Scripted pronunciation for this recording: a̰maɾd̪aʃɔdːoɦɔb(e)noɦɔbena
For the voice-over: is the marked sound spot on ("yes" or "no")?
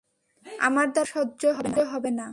yes